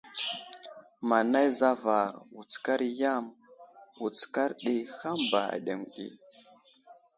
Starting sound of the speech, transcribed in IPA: m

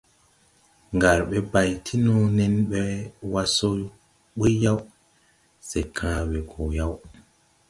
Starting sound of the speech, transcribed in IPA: ŋ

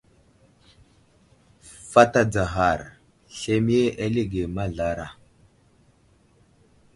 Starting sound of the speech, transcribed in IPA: f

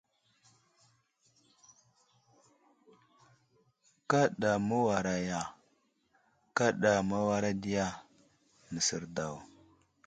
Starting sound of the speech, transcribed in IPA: k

